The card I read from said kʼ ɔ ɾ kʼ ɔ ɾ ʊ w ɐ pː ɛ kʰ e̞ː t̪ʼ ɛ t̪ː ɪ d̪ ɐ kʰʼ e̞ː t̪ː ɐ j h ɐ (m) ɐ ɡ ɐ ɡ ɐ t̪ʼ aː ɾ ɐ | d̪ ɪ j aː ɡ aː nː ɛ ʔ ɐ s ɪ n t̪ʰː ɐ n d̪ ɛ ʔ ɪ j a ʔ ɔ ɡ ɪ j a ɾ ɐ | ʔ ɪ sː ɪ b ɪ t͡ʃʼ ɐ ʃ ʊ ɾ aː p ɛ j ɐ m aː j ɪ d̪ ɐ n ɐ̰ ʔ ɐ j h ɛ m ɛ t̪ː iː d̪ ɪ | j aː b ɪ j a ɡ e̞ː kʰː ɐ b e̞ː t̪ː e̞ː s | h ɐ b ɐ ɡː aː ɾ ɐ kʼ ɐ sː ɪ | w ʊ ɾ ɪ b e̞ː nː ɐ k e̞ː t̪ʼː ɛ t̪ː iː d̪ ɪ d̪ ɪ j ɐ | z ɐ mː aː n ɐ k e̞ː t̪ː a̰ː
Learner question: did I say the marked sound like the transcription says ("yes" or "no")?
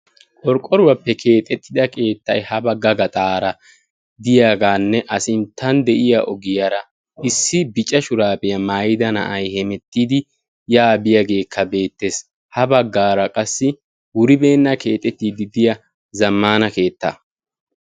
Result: no